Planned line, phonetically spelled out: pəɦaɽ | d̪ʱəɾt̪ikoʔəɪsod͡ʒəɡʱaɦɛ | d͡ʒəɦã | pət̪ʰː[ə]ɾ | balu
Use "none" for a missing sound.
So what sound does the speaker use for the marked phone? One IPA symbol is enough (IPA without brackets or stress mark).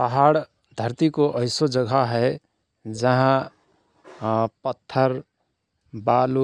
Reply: ə